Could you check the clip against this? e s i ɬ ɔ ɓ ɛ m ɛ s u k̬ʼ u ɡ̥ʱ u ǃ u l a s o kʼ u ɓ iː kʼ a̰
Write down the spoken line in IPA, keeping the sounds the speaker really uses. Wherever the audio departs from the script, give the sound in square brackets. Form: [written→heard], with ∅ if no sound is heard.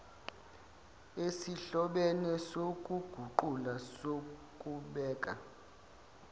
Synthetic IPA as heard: e s i ɬ ɔ ɓ ɛ [m→n] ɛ s [u→o] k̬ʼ u ɡ̥ʱ u ǃ u l a s o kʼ u ɓ [iː→ɛː] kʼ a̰